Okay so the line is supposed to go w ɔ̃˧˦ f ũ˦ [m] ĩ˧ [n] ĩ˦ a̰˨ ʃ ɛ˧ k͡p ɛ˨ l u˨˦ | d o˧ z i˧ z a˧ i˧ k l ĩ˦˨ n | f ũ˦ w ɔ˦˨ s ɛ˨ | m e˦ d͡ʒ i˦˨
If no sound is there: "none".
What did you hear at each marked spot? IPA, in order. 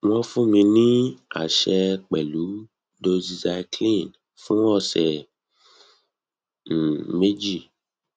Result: m, n

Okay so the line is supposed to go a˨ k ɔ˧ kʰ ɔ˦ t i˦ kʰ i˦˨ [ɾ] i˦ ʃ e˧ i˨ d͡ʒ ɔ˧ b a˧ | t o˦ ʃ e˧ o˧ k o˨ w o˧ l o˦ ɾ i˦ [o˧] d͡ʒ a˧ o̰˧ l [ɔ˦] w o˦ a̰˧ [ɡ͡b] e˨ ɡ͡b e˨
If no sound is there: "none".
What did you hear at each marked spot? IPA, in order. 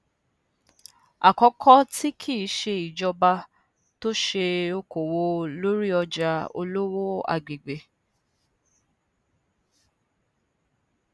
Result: none, ɔ˧, o˦, ɡ͡b

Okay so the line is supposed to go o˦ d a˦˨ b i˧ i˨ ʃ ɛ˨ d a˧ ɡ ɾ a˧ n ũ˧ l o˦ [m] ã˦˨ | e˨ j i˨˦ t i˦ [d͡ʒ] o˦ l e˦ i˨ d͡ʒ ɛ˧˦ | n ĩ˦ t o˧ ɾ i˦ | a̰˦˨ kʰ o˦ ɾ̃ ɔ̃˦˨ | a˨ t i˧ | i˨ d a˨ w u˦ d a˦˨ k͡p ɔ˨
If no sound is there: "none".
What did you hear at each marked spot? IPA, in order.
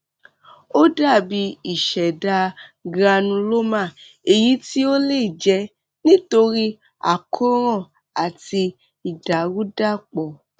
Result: m, none

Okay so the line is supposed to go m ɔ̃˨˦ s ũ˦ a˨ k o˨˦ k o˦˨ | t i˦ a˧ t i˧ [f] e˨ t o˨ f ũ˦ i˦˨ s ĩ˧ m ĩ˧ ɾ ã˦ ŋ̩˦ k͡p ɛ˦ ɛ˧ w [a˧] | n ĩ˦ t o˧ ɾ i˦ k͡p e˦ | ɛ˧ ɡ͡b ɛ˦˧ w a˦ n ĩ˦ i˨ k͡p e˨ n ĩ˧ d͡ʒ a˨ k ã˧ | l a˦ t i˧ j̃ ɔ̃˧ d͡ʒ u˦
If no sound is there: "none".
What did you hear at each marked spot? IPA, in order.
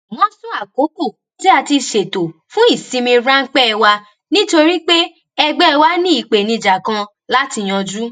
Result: ʃ, a˧

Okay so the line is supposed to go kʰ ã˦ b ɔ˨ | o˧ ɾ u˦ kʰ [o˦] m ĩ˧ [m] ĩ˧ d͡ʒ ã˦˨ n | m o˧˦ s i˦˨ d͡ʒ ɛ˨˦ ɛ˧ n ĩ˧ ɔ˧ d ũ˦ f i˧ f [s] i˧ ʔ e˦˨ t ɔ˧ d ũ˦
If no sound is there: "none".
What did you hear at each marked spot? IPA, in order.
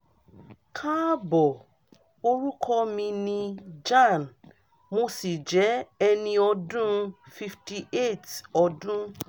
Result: ɔ˦, n, t

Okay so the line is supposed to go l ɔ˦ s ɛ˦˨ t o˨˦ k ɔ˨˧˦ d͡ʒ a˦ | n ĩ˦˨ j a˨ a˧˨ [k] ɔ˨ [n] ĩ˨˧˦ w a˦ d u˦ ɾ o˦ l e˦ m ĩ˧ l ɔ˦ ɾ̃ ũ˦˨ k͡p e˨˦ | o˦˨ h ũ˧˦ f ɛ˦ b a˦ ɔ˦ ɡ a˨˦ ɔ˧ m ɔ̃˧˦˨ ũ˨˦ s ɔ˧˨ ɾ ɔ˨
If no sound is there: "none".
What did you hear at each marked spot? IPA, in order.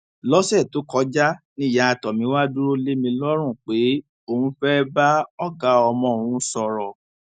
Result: t, m

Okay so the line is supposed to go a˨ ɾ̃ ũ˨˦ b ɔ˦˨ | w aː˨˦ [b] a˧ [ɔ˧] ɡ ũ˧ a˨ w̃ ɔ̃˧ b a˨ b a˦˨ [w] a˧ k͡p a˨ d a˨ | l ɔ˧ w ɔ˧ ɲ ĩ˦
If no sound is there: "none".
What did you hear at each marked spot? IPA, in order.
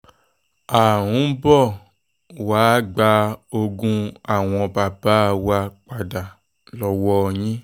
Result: ɡ͡b, o˧, w

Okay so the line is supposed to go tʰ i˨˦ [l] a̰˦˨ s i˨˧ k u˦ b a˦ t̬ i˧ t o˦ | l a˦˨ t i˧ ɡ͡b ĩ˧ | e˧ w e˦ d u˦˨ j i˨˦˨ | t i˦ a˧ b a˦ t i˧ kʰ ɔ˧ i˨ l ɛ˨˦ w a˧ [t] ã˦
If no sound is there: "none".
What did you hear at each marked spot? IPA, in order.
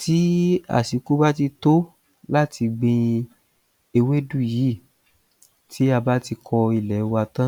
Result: none, t

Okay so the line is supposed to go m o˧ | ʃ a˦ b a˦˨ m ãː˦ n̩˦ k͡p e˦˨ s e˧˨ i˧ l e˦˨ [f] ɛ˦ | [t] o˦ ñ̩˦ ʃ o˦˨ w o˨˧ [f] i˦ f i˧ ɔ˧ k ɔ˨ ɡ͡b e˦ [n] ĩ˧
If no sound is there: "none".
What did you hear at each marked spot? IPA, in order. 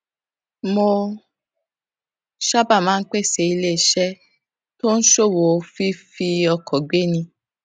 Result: ʃ, t, f, n

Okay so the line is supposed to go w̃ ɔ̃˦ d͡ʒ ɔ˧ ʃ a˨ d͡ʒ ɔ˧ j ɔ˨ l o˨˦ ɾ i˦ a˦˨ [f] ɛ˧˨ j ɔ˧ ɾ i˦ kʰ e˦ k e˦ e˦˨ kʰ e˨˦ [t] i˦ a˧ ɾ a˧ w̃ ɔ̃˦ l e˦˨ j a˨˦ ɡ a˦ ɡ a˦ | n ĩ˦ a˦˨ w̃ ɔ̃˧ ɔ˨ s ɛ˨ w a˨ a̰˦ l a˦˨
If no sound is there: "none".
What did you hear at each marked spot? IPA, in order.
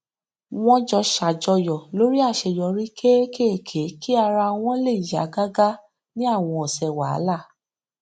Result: ʃ, k

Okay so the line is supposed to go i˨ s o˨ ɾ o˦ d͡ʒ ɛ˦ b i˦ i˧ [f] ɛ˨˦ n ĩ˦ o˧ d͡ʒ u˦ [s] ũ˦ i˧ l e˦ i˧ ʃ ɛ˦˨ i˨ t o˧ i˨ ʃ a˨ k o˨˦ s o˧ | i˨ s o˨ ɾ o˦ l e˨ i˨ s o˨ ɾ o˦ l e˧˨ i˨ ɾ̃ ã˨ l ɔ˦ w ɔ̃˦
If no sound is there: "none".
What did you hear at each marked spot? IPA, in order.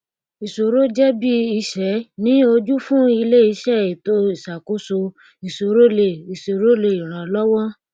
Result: ʃ, f

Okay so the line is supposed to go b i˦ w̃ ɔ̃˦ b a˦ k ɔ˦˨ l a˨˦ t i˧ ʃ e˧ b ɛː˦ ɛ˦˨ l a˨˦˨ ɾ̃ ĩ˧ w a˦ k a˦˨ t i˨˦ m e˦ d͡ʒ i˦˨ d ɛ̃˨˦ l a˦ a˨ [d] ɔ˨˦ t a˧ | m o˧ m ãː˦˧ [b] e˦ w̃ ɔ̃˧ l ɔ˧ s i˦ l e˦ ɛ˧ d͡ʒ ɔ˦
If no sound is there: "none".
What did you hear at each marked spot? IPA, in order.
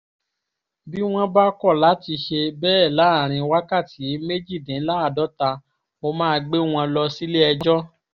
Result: d, ɡ͡b

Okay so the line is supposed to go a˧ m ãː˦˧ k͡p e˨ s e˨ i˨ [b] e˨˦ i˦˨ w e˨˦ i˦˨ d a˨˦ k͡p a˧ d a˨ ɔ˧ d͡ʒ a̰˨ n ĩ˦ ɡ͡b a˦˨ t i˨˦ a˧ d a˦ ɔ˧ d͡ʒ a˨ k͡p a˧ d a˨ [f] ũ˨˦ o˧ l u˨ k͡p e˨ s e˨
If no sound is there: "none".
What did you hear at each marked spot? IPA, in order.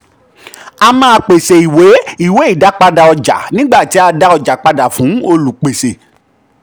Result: w, f

